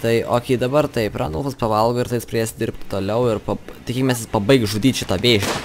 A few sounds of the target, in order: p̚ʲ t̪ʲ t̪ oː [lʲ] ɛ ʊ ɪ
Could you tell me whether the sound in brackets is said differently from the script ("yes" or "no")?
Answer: no